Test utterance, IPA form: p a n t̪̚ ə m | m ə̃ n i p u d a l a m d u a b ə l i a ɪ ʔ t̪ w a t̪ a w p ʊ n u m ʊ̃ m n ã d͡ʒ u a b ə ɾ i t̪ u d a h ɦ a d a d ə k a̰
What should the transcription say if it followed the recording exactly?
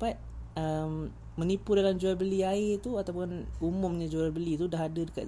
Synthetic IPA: p a t̪̚ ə m | m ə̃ n i p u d a l a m d͡ʒ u a b ə l i a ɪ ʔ t̪ u a t̪ a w p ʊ n u m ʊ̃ m ɲ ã d͡ʒ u a b ə l i t̪ u d a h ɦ a d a d ə k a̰